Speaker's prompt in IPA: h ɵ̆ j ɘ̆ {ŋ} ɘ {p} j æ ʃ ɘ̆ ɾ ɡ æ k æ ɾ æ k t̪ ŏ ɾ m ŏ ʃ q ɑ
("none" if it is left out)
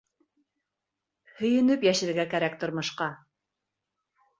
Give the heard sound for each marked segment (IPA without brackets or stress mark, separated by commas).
n, p